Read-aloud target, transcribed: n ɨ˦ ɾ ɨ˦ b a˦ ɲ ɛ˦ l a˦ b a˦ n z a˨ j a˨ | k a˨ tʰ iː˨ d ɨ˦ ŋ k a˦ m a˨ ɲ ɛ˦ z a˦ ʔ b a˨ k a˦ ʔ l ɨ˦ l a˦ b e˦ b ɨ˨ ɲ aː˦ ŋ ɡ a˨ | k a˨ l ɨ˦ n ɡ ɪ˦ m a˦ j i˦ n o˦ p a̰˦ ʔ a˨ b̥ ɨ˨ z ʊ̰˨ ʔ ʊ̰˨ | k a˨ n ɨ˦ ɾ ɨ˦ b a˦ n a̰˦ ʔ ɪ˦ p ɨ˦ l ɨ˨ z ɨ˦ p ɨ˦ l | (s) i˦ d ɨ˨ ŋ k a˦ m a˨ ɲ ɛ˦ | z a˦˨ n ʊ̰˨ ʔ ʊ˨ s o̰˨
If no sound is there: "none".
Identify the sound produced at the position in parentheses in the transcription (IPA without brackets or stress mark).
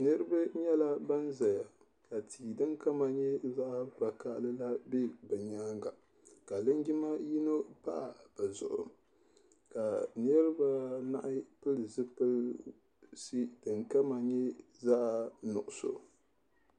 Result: s